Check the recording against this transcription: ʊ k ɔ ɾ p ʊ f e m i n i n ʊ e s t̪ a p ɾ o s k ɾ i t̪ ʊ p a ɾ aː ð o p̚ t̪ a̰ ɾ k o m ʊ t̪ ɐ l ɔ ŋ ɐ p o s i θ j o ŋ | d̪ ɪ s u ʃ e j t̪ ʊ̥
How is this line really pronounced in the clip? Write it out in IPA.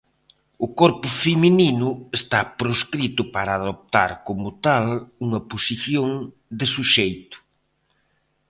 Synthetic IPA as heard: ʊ k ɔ ɾ p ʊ f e m i n i n ʊ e s t̪ a p ɾ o s k ɾ i t̪ ʊ p a ɾ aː ð o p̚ t̪ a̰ ɾ k o m ʊ t̪ a l u ŋ ɐ p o s i θ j o ŋ | d̪ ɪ s u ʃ e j t̪ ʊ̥